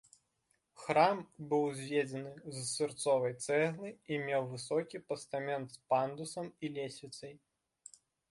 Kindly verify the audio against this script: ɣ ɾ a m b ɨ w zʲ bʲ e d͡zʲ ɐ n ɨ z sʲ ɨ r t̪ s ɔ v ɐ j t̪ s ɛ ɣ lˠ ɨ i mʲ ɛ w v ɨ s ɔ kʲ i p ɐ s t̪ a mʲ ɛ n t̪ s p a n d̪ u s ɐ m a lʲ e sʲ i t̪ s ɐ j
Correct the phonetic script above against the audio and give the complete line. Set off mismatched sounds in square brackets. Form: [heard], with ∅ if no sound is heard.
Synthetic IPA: [x] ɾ a m b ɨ w zʲ [vʲ] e d͡zʲ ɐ n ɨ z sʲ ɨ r t̪ s ɔ v ɐ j t̪ s ɛ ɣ lˠ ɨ i mʲ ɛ w v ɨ s ɔ kʲ i p ɐ s t̪ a mʲ ɛ n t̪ s p a n d̪ u s ɐ m [i] lʲ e sʲ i t̪ s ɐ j